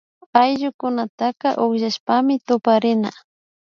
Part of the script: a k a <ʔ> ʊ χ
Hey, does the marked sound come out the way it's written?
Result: yes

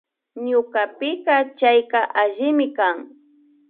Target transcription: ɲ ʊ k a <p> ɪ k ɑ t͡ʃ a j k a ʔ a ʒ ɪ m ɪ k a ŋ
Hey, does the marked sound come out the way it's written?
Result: yes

